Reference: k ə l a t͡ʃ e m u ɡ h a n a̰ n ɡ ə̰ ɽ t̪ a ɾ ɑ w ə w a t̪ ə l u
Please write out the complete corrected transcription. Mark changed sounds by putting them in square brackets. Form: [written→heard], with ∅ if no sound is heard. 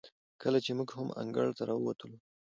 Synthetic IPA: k ə l a t͡ʃ e m u ɡ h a [n→m] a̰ [n→ŋ] ɡ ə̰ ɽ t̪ a ɾ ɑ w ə w a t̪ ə l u